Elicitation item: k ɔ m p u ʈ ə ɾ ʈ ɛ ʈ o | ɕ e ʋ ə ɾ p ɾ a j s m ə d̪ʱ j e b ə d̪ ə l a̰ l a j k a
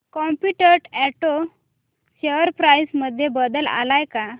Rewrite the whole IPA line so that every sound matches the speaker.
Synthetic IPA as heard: k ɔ m p u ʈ ə ɾ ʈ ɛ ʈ o | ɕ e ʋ ə ɾ p ɾ a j s m ə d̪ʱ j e b ə d̪ ə l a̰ l a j k a